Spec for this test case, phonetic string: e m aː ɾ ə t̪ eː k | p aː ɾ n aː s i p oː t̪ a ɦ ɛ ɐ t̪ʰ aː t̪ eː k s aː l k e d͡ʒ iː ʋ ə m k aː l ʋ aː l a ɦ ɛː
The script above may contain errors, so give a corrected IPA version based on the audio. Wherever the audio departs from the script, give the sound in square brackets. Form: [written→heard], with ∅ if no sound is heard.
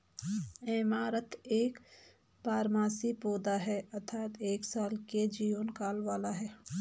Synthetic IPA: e m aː ɾ ə t̪ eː k | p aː ɾ [n→m] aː s i p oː [t̪→d̪] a ɦ ɛ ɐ t̪ʰ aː t̪ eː k s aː l k e d͡ʒ iː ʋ ə [m→n] k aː l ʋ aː l a ɦ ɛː